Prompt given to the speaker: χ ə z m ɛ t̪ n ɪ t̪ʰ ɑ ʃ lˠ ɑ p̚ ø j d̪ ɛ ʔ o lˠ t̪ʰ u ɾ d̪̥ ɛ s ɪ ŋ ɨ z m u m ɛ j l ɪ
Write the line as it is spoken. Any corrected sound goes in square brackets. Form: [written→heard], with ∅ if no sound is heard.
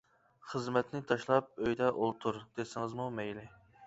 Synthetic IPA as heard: χ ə z m ɛ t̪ n ɪ t̪ʰ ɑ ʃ lˠ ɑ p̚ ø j d̪ ɛ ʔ o lˠ t̪ʰ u ɾ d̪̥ [ɛ→e] s ɪ ŋ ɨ z m u m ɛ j l ɪ

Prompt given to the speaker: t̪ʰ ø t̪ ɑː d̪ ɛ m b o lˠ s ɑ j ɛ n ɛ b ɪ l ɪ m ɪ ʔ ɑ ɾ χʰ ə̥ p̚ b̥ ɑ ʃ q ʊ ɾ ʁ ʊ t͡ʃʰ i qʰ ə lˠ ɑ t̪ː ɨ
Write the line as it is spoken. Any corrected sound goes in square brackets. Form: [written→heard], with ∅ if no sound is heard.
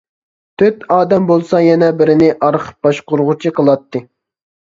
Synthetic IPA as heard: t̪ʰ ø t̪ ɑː d̪ ɛ m b o lˠ s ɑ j ɛ n ɛ b ɪ [l→ɾ] ɪ [m→n] ɪ ʔ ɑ ɾ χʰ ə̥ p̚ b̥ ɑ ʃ q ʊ ɾ ʁ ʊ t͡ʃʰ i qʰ ə lˠ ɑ t̪ː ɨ

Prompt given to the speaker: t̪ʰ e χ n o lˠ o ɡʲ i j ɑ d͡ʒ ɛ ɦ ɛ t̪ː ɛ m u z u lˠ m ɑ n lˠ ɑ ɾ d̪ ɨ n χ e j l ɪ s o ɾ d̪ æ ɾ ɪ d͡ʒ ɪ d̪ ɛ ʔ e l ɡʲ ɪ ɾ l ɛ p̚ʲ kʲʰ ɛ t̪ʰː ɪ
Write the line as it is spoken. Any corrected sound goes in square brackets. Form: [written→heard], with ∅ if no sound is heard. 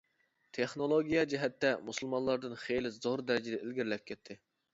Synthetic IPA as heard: t̪ʰ e χ n o lˠ o ɡʲ i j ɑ d͡ʒ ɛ ɦ ɛ t̪ː ɛ m u [z→s] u lˠ m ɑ n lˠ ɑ ɾ d̪ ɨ n χ e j l ɪ [s→z] o ɾ d̪ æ ɾ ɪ d͡ʒ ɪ d̪ ɛ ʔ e l ɡʲ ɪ ɾ l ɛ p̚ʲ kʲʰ ɛ t̪ʰː ɪ

